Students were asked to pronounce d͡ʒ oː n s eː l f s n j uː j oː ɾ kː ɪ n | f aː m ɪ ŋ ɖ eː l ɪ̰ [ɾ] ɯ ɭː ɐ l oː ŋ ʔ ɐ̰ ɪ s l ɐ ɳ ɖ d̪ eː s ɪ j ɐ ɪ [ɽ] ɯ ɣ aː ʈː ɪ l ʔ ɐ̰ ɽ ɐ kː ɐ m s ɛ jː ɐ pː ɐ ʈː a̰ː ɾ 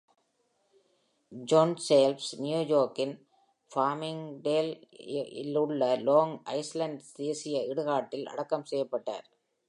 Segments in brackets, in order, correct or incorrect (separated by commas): incorrect, correct